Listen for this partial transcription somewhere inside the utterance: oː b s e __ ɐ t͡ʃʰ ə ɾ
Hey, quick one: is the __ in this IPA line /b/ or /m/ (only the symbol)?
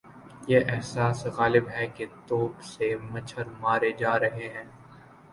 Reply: m